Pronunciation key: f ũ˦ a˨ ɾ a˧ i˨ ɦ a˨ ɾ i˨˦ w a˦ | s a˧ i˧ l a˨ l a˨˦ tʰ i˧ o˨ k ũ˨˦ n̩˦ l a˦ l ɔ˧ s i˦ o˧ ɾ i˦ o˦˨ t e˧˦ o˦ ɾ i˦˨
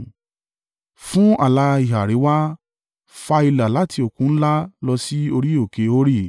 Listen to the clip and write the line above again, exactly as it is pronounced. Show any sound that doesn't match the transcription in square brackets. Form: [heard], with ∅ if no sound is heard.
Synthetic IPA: f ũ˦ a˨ [l] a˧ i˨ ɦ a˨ ɾ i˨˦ w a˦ | [f] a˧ i˧ l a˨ l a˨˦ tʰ i˧ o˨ k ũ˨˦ n̩˦ l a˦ l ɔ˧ s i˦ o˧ ɾ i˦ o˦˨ [k] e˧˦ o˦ ɾ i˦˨